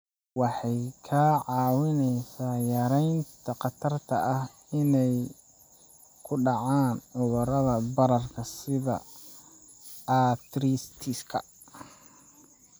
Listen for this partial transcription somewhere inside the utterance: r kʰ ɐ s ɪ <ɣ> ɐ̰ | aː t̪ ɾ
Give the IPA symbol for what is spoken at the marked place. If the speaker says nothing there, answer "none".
ð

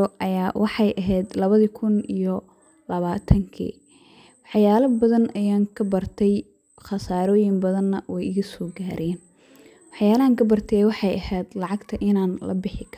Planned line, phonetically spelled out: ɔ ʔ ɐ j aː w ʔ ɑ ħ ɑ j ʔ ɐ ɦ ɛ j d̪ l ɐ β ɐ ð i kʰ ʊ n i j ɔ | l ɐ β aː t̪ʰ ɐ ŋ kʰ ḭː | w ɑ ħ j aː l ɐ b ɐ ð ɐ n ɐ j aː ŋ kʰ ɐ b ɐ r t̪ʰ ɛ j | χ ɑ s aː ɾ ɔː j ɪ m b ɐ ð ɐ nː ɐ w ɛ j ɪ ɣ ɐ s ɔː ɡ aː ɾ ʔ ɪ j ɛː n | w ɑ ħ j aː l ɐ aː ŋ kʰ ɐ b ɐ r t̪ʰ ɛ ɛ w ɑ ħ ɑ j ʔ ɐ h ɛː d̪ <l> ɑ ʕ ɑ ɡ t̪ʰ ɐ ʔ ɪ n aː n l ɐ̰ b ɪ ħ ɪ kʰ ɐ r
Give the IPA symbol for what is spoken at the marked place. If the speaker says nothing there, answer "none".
l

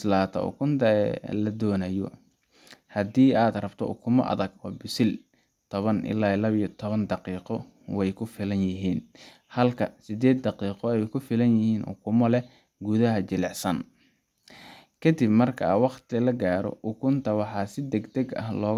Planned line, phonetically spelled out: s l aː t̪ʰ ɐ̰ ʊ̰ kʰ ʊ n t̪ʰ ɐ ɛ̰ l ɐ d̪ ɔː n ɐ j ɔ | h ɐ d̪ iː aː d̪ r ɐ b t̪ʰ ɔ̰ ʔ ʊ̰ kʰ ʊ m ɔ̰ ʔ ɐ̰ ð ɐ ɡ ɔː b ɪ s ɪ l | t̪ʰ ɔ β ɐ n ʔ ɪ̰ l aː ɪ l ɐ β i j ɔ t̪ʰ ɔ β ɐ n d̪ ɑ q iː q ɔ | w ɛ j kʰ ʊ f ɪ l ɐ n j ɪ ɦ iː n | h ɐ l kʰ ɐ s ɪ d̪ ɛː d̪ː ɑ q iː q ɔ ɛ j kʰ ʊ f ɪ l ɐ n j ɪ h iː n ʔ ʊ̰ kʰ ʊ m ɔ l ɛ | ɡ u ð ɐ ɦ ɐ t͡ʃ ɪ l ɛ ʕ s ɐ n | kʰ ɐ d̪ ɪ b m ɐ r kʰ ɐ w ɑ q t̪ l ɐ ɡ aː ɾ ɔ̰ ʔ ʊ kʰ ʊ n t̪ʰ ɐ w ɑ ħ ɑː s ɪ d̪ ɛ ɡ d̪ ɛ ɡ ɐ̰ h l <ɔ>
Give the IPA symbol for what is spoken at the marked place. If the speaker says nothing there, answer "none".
ɔː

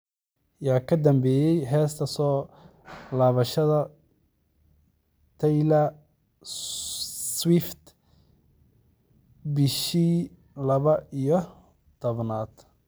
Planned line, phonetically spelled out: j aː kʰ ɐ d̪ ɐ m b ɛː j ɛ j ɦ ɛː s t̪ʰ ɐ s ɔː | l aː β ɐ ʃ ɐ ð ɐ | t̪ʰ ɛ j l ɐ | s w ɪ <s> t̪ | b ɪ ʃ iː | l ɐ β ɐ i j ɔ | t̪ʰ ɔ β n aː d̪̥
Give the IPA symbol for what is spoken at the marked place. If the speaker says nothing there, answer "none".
f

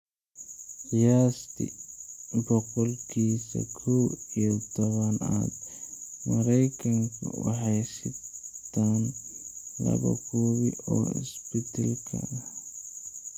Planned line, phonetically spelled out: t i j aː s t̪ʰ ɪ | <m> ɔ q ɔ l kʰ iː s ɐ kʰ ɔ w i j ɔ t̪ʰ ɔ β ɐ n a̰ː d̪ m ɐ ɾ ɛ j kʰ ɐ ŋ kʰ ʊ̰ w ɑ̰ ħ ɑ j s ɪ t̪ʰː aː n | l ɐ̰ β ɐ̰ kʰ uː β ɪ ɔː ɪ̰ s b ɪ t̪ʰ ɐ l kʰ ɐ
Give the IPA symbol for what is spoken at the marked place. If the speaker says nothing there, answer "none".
b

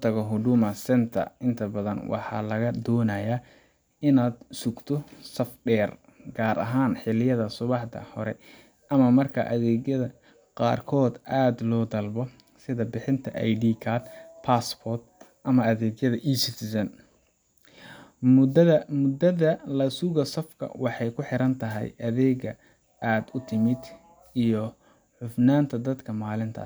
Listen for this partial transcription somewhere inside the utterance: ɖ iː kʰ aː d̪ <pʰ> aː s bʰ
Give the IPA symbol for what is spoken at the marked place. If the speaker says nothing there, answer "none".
pʰ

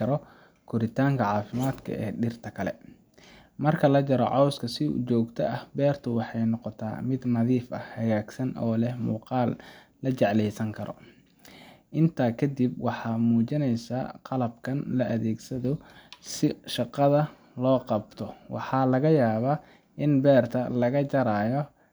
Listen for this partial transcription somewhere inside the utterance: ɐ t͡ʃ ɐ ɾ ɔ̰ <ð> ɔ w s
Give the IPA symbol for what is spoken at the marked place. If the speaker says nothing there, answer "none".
ʕ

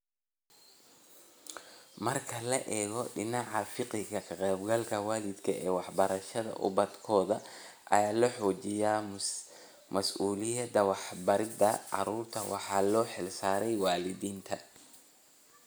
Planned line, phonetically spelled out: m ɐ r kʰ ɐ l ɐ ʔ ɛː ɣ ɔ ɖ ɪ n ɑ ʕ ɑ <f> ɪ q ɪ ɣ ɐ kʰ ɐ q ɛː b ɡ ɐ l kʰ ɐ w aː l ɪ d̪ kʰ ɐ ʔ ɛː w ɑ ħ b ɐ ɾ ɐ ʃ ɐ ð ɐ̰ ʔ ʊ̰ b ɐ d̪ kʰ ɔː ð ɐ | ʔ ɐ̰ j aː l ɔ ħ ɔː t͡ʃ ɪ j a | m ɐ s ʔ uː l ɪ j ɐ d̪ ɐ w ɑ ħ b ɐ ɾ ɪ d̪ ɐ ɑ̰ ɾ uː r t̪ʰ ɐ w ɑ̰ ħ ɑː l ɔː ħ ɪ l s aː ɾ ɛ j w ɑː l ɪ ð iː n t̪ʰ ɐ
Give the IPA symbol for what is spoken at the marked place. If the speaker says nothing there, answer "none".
f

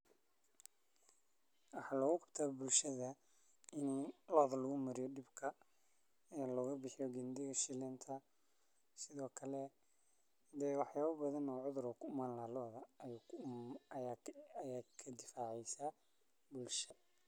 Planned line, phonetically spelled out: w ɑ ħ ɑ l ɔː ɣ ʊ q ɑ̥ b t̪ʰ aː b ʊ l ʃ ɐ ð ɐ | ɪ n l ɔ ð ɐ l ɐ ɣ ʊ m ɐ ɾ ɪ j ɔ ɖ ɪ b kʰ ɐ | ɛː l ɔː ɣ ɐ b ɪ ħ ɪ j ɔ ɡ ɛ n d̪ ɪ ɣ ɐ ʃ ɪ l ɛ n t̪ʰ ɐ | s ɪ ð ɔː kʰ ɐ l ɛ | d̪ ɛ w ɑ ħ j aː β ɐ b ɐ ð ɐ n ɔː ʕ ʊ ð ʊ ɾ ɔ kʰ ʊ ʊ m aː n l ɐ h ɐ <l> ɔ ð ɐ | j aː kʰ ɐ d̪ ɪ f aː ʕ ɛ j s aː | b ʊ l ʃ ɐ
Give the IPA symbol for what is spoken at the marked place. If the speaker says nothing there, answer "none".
l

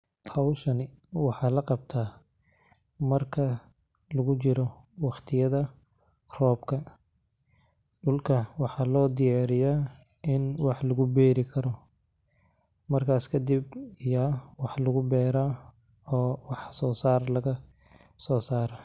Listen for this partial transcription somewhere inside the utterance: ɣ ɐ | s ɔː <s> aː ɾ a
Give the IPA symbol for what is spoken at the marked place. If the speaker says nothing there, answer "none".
s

